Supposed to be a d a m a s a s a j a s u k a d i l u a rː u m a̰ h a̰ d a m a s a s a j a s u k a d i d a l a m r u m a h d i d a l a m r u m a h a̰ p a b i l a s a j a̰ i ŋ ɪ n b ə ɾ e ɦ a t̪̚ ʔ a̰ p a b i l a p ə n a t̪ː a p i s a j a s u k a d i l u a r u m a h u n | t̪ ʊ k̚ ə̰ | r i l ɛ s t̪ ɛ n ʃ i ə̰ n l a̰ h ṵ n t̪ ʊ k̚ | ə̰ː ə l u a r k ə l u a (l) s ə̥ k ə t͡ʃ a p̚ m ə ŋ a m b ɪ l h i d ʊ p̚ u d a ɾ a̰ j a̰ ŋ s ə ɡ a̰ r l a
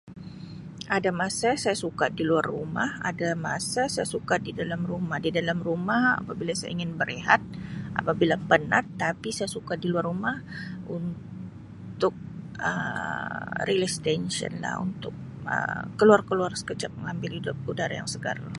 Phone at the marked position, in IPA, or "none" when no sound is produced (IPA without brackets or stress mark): r